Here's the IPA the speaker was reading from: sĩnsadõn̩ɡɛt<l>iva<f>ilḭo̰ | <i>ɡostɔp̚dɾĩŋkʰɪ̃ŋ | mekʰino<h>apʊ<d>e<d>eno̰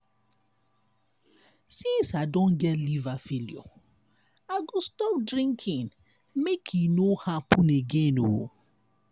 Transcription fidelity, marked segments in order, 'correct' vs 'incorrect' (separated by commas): correct, correct, incorrect, correct, incorrect, incorrect